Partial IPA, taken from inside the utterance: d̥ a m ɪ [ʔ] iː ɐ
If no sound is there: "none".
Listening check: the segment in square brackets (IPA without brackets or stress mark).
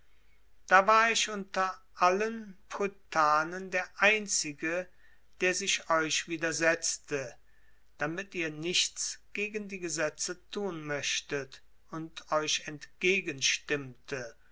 t